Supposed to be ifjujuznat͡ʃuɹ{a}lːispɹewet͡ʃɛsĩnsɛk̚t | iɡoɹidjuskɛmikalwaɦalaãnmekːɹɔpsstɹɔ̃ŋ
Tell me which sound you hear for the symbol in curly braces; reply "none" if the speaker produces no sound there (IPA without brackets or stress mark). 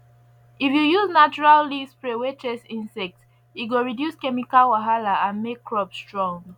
a